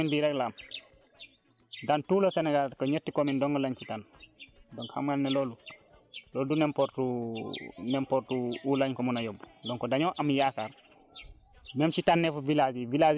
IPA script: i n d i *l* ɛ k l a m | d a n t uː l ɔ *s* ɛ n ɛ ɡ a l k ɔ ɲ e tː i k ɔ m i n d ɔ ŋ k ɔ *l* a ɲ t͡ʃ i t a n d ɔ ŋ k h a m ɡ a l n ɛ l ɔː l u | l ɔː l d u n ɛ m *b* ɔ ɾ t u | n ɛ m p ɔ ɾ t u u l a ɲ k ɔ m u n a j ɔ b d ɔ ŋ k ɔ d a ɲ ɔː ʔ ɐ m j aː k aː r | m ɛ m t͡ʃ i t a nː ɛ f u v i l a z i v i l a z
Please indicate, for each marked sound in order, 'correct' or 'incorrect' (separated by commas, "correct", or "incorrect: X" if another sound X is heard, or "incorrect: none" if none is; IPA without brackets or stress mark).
incorrect: ɾ, correct, correct, incorrect: p